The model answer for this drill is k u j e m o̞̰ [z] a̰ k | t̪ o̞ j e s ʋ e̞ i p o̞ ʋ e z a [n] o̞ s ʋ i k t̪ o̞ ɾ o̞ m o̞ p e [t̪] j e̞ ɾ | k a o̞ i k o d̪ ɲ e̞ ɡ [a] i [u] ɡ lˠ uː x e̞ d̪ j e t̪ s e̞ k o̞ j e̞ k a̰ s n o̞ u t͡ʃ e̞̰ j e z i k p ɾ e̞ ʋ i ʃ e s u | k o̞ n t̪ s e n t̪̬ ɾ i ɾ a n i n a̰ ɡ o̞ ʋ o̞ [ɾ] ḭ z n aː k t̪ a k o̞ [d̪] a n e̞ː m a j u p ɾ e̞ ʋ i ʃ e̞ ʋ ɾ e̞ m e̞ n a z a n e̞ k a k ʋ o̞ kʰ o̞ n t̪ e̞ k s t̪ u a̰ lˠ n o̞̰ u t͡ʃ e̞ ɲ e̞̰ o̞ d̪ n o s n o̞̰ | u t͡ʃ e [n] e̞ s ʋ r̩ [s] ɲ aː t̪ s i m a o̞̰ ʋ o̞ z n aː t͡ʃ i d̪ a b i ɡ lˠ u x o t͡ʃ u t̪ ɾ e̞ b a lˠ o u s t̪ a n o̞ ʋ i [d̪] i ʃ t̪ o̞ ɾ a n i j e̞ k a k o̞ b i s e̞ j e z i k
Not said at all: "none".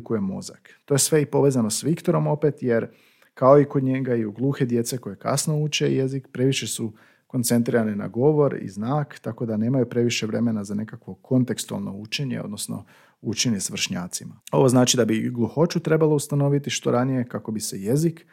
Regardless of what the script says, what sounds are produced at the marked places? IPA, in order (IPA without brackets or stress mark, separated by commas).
z, n, t̪, a, u, ɾ, d̪, ɲ, ʃ, t̪